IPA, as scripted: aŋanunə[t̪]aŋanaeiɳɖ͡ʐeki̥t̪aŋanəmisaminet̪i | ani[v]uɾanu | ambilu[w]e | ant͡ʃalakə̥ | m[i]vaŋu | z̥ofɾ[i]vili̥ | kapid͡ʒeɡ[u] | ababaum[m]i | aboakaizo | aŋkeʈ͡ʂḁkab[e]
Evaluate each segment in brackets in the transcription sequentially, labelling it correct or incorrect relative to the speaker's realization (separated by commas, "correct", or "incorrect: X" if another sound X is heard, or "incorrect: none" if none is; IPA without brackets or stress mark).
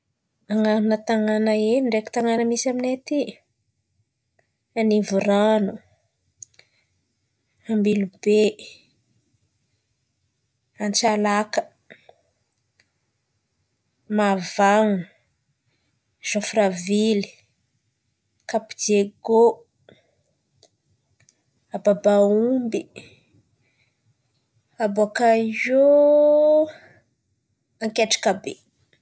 correct, correct, incorrect: b, incorrect: a, incorrect: a, incorrect: o, incorrect: b, correct